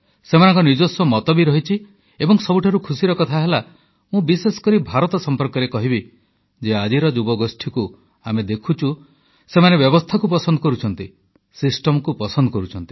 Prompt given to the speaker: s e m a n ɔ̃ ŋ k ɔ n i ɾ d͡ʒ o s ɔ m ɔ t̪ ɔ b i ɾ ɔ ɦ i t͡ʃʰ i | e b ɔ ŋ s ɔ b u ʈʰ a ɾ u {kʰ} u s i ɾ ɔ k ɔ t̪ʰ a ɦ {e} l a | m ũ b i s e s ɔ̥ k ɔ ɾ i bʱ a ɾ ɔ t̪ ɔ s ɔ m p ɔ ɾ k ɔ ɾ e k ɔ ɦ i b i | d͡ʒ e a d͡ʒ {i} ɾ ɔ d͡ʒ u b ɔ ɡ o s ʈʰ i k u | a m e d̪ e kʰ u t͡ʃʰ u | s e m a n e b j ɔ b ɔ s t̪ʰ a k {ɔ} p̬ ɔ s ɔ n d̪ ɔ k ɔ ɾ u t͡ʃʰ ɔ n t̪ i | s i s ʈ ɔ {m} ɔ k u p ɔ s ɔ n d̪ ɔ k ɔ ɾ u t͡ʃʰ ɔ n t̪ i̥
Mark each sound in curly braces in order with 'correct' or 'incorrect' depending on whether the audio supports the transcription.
correct, correct, correct, incorrect, correct

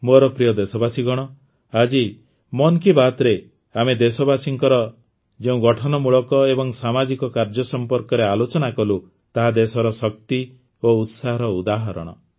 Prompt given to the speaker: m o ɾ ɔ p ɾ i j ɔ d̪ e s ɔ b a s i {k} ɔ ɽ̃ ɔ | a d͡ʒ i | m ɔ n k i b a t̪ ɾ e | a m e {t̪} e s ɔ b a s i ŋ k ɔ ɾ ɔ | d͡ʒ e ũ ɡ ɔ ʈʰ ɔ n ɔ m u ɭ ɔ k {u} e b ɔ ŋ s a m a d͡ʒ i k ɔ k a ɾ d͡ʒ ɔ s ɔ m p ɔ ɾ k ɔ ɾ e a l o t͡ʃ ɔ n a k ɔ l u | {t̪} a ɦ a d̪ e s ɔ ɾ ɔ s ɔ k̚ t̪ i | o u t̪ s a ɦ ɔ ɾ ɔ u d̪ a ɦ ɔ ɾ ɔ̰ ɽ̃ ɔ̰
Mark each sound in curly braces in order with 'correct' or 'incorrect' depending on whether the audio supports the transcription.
incorrect, incorrect, incorrect, correct

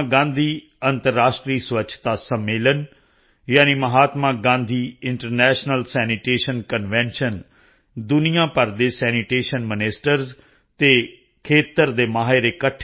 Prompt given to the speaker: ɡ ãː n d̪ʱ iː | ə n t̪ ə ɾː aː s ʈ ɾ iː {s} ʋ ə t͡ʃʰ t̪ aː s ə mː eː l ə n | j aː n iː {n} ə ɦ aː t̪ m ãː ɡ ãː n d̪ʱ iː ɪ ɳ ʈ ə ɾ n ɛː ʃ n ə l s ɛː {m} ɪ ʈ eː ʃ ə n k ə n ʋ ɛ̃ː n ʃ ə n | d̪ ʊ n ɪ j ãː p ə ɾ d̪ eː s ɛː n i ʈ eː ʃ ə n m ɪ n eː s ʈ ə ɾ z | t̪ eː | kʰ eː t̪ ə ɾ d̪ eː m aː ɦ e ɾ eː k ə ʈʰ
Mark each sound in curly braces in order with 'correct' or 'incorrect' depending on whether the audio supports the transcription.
correct, incorrect, incorrect

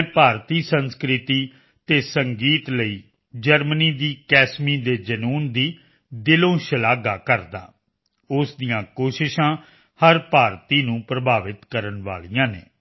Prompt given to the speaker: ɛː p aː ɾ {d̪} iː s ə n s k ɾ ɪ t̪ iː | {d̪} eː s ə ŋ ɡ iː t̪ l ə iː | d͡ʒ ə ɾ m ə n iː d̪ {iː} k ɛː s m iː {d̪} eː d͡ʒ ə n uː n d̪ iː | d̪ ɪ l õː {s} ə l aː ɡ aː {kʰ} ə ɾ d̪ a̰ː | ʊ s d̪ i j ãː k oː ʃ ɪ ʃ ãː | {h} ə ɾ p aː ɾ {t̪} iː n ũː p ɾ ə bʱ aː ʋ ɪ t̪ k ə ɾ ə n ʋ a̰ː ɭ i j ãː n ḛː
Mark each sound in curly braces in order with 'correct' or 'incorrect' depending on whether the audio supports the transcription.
incorrect, incorrect, correct, correct, incorrect, incorrect, correct, correct

